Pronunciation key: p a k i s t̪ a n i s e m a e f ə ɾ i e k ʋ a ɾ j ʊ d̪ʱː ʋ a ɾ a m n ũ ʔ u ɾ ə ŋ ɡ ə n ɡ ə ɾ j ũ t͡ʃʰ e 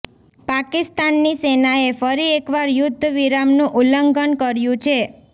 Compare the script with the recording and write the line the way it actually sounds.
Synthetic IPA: p a k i s t̪ a nː i s e n a e f ə ɾ i e k ʋ a ɾ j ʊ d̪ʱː ʋ i ɾ a m n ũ ʔ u l ə ŋ ɡ ə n k ə ɾ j ũ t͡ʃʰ e